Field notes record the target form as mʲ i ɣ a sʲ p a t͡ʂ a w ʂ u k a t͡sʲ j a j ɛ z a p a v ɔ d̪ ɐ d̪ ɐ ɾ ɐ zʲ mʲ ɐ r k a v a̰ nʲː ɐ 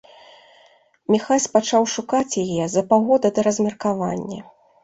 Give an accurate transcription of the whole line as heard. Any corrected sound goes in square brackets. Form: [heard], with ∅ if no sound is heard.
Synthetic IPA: mʲ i [x] a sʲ p a t͡ʂ a w ʂ u k a t͡sʲ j a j ɛ z [ɐ] p a [ɣ] ɔ d̪ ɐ d̪ ɐ ɾ ɐ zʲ mʲ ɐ r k a v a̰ nʲː ɐ